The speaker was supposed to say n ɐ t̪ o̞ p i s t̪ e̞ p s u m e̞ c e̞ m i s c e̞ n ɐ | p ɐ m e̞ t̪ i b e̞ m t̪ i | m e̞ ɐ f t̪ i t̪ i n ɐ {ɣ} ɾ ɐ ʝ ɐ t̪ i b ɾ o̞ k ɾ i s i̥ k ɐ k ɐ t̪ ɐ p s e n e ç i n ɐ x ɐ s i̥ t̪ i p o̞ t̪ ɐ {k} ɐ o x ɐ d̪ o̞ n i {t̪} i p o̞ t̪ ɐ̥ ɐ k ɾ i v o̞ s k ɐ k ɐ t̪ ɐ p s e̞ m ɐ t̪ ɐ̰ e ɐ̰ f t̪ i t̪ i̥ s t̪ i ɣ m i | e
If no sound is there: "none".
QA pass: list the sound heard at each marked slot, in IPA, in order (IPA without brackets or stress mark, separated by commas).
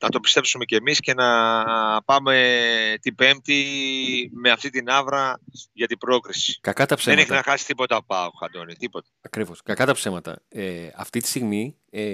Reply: v, p, t̪